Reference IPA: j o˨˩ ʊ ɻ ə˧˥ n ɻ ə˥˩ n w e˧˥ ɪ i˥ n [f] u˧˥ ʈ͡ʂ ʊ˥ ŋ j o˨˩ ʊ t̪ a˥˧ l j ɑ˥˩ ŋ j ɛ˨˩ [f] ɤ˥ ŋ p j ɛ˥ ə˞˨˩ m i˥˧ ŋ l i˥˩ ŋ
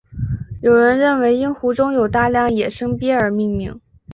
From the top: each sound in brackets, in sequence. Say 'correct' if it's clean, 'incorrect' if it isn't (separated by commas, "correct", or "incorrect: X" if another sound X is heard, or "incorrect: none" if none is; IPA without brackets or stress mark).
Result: incorrect: x, incorrect: ʂ